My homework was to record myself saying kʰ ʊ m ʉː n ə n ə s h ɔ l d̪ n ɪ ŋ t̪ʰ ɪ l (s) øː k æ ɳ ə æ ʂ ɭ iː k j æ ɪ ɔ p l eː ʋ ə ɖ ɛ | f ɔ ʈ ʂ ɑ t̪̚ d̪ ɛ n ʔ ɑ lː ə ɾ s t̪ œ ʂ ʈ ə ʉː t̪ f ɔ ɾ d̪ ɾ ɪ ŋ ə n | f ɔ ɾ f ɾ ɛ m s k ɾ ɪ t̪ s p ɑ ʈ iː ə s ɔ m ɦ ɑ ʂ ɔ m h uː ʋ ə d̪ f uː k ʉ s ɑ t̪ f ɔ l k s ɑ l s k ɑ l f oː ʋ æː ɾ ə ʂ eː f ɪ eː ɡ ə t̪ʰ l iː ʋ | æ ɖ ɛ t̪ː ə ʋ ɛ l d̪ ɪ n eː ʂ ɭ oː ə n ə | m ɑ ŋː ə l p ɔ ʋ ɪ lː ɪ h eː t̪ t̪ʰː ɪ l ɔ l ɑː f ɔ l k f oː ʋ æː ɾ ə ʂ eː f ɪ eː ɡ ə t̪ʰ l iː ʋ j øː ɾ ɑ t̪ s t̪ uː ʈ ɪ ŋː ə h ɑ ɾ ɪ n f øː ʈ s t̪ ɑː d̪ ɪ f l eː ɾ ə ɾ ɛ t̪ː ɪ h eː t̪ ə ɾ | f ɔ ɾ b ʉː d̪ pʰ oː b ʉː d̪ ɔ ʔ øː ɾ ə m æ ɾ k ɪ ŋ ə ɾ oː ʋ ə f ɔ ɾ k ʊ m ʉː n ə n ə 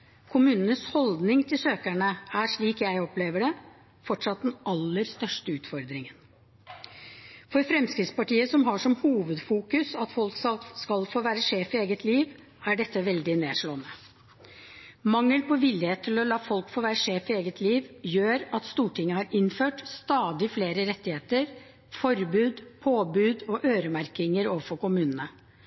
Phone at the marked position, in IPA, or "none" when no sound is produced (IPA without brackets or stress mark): s